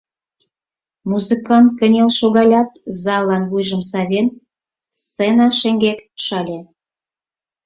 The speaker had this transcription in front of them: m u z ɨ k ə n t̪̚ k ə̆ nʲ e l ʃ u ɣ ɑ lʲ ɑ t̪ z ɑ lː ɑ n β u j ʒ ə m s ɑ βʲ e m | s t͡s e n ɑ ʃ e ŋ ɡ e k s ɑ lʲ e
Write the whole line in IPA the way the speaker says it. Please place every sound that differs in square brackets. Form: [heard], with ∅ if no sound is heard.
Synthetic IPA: m u z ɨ k [ɑ] n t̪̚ k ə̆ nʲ e l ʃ [o] ɣ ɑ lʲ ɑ t̪ z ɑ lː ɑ n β u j ʒ ə m s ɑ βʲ e [n] | s t͡s e n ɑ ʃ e ŋ ɡ e k [ʃ] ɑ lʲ e